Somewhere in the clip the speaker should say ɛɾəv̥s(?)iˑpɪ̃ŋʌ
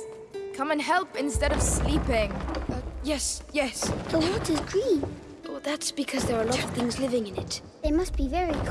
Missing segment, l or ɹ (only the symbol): l